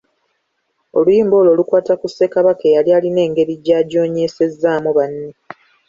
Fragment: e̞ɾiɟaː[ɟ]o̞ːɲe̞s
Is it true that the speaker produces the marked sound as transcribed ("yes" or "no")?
yes